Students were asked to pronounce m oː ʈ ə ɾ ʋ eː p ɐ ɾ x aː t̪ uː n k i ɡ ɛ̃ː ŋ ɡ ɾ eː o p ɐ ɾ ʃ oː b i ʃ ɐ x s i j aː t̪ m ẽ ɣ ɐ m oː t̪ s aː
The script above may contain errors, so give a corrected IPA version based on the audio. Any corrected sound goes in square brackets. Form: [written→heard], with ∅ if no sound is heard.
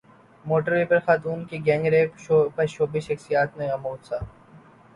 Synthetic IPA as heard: m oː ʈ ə ɾ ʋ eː p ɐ ɾ x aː t̪ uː n k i ɡ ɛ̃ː ŋ ɡ ɾ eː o p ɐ ɾ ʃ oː b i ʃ ɐ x s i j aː t̪ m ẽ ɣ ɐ m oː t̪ s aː